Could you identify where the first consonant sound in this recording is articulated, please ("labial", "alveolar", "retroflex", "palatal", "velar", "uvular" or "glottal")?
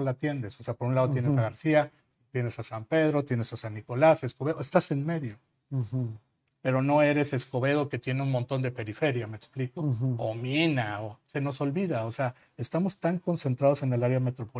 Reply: alveolar